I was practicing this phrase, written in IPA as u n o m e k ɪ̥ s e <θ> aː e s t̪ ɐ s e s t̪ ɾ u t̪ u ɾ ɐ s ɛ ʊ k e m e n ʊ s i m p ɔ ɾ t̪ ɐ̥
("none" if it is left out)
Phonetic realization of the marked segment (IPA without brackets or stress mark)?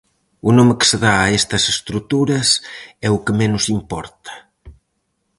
ð